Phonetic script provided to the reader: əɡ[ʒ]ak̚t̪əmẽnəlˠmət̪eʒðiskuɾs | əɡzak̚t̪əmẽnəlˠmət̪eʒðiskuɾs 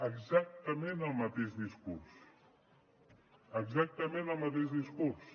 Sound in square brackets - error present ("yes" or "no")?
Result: yes